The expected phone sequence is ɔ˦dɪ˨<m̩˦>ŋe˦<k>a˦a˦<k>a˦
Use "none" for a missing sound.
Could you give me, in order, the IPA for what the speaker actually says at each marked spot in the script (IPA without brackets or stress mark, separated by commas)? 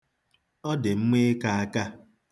m̩˦, k, k